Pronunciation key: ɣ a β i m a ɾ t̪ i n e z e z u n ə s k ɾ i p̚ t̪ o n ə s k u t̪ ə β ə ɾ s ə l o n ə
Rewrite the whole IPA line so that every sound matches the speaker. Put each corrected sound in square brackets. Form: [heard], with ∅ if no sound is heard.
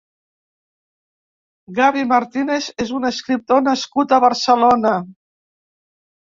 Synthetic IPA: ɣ a β i m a ɾ t̪ i n e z e z u n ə s k ɾ i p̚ t̪ o n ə s k u t̪ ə β ə ɾ s ə l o n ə